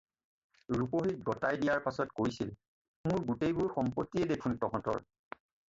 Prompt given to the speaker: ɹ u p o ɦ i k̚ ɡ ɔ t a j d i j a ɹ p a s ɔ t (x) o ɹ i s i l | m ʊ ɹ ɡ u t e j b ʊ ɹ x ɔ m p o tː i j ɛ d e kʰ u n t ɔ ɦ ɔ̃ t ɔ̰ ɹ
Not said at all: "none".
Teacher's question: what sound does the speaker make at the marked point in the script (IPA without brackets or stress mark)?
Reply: k